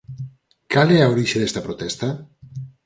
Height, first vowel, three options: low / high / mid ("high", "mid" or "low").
low